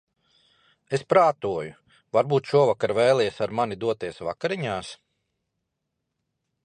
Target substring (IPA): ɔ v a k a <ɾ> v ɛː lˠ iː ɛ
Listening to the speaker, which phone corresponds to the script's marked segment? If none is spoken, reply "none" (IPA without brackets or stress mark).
ɾ